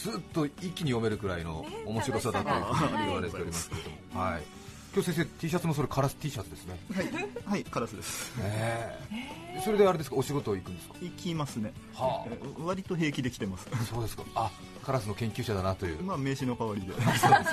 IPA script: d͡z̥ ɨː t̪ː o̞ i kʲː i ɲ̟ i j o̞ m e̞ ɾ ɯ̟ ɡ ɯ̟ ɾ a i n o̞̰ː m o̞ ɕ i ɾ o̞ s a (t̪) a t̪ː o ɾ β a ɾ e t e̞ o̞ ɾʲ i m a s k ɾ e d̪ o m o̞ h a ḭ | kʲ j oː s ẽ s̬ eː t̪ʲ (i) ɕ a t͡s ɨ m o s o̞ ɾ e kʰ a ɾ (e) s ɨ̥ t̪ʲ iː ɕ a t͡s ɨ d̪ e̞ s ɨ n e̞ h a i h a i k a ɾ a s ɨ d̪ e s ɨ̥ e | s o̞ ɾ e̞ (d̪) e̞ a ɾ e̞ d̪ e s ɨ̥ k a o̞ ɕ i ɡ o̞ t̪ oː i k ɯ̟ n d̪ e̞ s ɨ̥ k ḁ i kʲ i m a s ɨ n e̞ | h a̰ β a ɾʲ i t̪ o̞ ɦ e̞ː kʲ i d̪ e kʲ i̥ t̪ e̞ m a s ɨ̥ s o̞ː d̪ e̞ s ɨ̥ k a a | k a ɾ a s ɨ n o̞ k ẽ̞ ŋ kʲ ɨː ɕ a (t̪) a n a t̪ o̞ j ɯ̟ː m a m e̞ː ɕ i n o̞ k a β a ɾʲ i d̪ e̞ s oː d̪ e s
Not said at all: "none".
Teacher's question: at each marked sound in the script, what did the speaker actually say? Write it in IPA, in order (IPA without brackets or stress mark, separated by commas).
d̪, iː, a, d̪, d̪